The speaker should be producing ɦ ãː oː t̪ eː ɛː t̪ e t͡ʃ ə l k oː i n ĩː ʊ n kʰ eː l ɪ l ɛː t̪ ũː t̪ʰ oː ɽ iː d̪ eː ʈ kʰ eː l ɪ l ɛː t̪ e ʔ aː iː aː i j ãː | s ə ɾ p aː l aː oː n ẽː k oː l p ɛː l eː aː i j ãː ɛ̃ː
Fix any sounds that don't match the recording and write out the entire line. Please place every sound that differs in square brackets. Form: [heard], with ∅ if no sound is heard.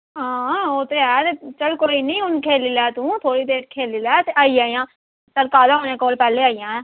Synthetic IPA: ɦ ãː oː t̪ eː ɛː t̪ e t͡ʃ ə l k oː i n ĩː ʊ n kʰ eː l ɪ l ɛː t̪ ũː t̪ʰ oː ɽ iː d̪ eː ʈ kʰ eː l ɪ l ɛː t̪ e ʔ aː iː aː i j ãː | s ə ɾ [k] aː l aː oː n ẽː k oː l p ɛː l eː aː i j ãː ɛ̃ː